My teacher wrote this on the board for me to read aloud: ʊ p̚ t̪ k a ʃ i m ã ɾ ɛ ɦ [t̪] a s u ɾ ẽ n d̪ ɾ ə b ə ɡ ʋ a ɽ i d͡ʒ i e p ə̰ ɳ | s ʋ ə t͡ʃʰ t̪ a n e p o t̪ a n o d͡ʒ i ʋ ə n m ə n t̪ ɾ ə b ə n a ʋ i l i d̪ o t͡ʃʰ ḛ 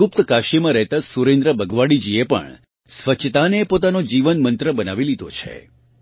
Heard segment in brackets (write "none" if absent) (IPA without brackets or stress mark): t̪